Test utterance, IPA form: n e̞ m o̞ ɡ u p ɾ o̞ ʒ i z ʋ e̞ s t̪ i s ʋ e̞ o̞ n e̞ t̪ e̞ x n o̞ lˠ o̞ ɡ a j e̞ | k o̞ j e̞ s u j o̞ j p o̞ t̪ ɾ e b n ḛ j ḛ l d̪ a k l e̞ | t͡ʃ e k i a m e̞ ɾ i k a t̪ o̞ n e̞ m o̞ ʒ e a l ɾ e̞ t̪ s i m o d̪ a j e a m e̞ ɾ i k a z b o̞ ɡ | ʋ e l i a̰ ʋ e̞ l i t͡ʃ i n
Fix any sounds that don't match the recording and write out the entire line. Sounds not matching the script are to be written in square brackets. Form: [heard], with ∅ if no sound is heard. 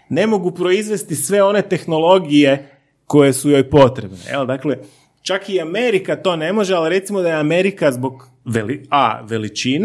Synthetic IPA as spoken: n e̞ m o̞ ɡ u p ɾ o̞ [∅] i z ʋ e̞ s t̪ i s ʋ e̞ o̞ n e̞ t̪ e̞ x n o̞ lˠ o̞ ɡ [i] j e̞ | k o̞ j e̞ s u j o̞ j p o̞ t̪ ɾ e b n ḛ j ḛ l d̪ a k l e̞ | t͡ʃ [a] k i a m e̞ ɾ i k a t̪ o̞ n e̞ m o̞ ʒ e a l ɾ e̞ t̪ s i m o d̪ a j e a m e̞ ɾ i k a z b o̞ ɡ | ʋ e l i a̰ ʋ e̞ l i t͡ʃ i n